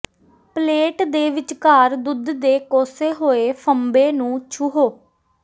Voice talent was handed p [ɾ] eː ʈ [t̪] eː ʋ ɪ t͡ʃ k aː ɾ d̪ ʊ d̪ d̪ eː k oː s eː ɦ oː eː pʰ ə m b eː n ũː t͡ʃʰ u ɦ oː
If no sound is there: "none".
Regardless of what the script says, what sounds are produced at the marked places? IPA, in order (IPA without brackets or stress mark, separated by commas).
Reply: l, d̪